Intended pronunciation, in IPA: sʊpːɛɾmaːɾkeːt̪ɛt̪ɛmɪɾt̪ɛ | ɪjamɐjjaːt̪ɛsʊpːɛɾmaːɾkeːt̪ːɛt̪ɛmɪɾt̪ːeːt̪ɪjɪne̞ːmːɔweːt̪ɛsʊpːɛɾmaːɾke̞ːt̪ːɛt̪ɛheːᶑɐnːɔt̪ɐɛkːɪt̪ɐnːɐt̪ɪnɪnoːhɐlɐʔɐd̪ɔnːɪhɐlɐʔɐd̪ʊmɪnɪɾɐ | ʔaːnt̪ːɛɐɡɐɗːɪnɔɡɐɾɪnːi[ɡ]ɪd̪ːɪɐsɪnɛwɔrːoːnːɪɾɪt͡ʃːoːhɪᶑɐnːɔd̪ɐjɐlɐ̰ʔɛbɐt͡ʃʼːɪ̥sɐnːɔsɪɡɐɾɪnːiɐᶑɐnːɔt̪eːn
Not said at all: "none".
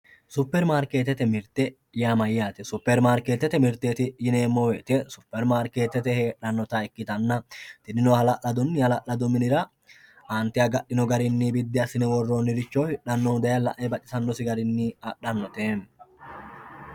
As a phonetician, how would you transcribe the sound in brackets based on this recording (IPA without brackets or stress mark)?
b